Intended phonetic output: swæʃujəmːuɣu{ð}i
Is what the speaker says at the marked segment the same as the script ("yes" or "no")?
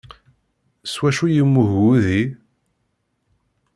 yes